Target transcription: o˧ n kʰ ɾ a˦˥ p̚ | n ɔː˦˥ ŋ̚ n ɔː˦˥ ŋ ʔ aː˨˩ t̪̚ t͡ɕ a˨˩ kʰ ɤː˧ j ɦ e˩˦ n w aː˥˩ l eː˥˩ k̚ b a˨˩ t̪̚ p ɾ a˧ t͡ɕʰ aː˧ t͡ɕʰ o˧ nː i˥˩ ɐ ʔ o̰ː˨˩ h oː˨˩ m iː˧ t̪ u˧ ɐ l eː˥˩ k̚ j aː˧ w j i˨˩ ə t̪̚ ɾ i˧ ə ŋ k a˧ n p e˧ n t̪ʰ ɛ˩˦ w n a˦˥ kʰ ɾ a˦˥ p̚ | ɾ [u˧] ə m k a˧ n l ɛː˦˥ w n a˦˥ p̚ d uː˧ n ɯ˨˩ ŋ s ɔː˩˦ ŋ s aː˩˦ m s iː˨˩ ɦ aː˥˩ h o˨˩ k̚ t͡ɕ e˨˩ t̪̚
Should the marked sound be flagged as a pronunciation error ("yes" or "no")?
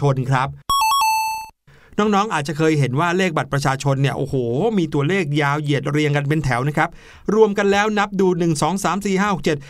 no